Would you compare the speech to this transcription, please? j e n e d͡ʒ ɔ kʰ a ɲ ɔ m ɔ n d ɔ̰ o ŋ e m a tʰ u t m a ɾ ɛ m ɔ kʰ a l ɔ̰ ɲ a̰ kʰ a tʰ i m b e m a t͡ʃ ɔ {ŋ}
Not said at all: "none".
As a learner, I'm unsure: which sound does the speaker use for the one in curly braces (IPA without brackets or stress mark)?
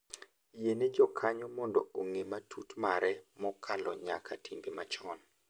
n